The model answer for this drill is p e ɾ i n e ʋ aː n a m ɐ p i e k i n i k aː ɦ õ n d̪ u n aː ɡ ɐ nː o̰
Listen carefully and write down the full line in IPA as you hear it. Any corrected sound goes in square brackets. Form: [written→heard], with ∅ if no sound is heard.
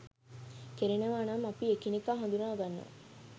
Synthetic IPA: [p→k] e ɾ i n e ʋ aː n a m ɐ p i e k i n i k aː ɦ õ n d̪ u n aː ɡ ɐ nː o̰